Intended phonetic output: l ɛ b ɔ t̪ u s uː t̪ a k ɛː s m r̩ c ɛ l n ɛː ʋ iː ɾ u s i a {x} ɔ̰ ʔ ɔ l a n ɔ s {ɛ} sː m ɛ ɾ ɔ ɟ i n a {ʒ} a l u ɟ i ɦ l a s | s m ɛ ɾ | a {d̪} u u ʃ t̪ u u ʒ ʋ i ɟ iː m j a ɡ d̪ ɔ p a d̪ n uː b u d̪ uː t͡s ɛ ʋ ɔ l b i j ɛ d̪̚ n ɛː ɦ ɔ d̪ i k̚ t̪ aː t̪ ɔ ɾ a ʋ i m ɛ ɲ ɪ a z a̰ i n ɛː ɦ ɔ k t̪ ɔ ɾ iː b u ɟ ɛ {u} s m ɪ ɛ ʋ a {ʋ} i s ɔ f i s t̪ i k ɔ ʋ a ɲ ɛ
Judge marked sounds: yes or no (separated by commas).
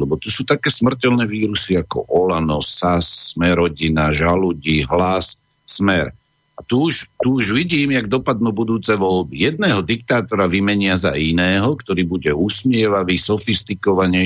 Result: no, no, yes, no, yes, yes